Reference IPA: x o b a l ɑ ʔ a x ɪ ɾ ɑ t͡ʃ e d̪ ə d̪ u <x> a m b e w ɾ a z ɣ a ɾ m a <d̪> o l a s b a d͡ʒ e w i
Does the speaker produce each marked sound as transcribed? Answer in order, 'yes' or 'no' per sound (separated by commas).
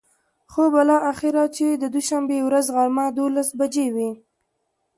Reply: no, yes